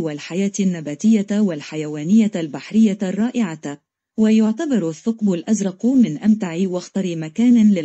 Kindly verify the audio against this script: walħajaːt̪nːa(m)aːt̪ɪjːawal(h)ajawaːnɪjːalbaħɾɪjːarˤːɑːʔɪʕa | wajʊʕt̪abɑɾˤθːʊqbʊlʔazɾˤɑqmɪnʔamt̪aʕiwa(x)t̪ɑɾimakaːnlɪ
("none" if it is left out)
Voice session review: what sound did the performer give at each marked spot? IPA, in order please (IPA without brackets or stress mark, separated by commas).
b, ħ, x